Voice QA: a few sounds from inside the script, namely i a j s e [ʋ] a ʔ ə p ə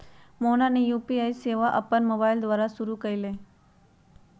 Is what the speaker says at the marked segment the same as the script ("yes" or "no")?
yes